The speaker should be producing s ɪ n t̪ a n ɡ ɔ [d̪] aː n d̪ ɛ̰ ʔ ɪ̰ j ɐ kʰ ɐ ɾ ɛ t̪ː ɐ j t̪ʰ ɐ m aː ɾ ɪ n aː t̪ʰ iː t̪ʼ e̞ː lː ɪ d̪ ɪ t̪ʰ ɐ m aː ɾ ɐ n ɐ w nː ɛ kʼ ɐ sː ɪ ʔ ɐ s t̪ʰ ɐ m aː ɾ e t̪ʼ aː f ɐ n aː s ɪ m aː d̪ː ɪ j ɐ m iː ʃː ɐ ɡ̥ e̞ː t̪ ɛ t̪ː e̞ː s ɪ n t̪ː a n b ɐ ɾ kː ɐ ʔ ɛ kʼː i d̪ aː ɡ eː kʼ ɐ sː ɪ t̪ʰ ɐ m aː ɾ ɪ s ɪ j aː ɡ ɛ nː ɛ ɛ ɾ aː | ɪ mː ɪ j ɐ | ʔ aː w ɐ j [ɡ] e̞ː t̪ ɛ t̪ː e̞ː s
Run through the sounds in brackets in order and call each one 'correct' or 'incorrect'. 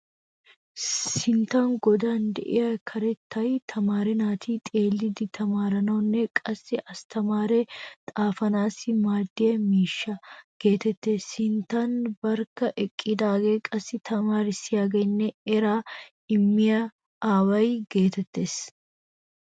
correct, correct

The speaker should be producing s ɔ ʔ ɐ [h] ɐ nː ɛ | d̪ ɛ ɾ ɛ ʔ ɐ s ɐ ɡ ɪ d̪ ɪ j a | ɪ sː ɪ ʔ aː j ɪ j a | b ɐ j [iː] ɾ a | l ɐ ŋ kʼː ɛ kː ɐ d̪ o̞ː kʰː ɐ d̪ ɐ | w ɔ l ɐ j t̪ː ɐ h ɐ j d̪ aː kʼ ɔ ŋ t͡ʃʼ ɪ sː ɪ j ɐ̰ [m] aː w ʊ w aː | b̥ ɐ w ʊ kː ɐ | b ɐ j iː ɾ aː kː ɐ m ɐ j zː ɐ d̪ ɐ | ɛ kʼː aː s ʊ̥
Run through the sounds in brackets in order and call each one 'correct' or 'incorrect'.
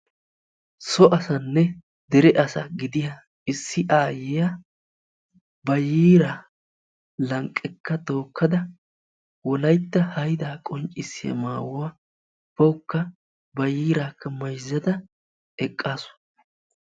incorrect, correct, correct

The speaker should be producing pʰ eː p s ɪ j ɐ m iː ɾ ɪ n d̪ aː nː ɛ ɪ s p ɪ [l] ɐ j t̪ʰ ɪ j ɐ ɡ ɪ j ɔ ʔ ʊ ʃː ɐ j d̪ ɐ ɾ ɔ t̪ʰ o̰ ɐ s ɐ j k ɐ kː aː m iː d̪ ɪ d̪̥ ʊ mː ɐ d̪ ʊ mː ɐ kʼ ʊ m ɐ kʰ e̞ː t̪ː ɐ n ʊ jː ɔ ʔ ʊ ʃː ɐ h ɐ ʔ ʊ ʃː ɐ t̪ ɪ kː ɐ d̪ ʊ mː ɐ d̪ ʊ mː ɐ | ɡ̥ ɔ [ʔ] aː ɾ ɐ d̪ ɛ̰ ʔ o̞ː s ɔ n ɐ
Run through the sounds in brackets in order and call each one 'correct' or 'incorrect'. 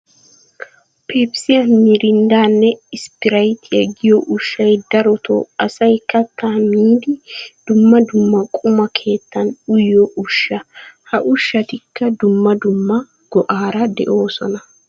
incorrect, correct

